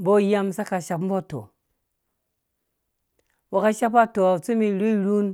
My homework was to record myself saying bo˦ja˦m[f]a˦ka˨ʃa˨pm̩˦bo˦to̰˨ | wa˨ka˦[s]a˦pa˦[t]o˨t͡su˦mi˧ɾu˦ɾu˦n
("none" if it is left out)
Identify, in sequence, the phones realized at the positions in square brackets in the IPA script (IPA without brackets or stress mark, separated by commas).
s, ʃ, t